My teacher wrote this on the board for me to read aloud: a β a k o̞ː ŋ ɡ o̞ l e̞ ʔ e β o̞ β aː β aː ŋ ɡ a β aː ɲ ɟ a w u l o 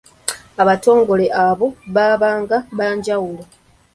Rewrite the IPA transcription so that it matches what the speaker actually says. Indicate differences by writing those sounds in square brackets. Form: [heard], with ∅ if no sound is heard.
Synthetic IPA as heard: a β a [t] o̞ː ŋ ɡ o̞ l e̞ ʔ [a] β o̞ β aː β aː ŋ ɡ a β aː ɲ ɟ a w u l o

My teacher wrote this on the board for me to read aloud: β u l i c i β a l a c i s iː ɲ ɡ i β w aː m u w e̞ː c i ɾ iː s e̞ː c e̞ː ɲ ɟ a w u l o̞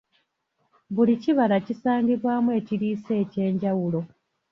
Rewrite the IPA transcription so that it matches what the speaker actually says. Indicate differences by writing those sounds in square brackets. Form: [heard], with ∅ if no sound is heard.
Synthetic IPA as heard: β u l i c i β a l a c i s [aː] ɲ ɡ i β w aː m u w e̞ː c i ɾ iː s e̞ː c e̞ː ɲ ɟ a w u l o̞

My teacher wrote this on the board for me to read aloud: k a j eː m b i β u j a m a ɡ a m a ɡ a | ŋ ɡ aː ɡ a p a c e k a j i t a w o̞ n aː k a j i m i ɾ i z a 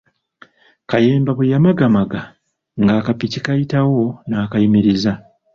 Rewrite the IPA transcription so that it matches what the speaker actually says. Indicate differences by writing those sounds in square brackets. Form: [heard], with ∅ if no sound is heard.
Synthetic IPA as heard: k a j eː m b [a] β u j a m a ɡ a m a ɡ a | ŋ ɡ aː [k] a p [i] c [i] k a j i t a w o̞ n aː k a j i m i ɾ i z a

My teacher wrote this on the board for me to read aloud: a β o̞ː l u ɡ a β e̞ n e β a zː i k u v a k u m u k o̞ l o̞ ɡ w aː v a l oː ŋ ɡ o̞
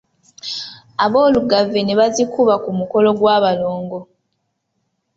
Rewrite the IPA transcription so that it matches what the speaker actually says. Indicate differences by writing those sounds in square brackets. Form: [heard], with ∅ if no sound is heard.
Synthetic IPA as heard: a β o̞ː l u ɡ a [v] e̞ n e β a [z] i k u [β] a k u m u k o̞ l o̞ ɡ w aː [β] a l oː ŋ ɡ o̞

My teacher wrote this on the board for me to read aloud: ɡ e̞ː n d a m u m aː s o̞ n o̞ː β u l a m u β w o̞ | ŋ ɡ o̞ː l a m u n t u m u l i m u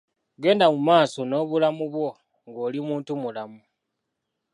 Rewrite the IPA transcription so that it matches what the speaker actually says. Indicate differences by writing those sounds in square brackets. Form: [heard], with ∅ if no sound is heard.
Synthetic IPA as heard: ɡ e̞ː n d a m u m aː s o̞ n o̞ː β u l a m u β w o̞ | ŋ ɡ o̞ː l [i] m [uː] n t u m u l [a] m u

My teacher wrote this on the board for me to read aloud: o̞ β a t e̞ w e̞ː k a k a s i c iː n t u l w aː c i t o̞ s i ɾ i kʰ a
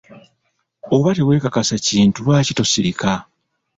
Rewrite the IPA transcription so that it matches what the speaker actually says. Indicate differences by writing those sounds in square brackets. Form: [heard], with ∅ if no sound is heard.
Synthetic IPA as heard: o̞ β a t e̞ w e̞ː k a k a s [a] c iː n t u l w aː c i t o̞ s i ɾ i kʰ a

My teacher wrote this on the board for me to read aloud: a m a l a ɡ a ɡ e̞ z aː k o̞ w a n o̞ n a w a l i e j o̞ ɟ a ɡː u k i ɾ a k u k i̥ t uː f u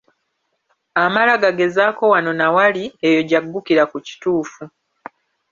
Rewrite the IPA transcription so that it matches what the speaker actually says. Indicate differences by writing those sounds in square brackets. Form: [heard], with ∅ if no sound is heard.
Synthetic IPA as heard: a m a l a ɡ a ɡ e̞ z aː k o̞ w a n o̞ n a w a l i e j o̞ ɟ a ɡː u k i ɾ a k u [c] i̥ t uː f u

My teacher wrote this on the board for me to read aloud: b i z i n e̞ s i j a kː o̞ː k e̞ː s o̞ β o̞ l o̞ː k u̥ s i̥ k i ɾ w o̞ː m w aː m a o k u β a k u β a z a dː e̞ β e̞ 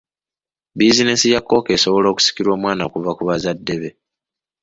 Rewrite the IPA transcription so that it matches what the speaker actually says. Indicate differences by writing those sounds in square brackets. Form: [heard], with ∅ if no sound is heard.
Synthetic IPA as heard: b i z i n e̞ s i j a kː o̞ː k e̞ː s o̞ β o̞ l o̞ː k u̥ s i̥ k i ɾ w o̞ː m w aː [n] a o k u [v] a k u β a z a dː e̞ β e̞

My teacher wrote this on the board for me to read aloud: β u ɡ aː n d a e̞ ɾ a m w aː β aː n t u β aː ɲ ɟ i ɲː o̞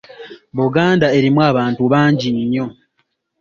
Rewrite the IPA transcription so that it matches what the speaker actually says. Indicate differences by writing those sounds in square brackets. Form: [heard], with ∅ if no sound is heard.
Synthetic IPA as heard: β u ɡ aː n d a e̞ ɾ [i] m w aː β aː n t u β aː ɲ ɟ i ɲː o̞

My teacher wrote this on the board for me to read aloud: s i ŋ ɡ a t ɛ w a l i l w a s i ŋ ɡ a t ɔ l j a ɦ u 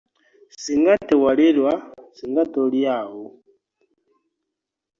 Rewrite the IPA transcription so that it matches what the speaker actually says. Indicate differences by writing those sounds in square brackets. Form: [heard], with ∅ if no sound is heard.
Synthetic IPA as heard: s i ŋ ɡ a t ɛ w a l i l w a s i ŋ ɡ a t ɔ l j a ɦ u

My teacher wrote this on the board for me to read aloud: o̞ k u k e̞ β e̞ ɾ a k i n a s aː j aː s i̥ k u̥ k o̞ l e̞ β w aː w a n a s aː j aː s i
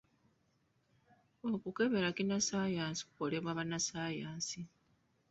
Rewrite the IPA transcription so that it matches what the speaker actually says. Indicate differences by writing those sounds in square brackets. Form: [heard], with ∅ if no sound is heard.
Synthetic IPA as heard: o̞ k u k e̞ β e̞ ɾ a k i n a s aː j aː s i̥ k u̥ k o̞ l e̞ β w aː [β] a n a s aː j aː s i

